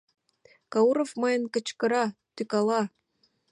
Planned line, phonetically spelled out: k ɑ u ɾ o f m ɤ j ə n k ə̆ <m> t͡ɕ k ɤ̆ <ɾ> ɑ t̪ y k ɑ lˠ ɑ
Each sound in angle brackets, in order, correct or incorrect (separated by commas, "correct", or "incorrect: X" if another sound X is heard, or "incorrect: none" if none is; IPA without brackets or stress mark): incorrect: none, correct